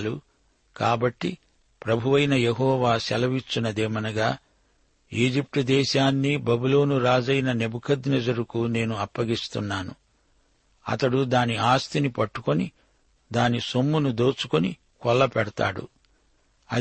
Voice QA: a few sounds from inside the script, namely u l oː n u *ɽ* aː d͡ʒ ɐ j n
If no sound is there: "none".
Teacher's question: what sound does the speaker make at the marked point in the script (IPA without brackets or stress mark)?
ɾ